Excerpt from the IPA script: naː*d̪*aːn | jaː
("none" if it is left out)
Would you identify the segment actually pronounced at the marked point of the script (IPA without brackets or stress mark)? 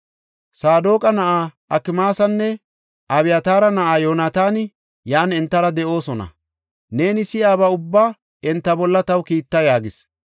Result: t̪